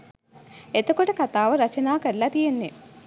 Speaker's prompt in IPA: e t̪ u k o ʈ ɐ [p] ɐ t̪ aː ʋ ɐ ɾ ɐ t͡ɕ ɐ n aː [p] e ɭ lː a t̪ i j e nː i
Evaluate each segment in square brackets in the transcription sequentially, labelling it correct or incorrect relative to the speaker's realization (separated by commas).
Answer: incorrect, incorrect